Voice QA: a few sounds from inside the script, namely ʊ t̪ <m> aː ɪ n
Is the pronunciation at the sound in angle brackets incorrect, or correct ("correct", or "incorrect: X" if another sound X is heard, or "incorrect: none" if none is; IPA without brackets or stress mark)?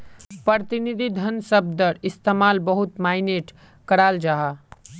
correct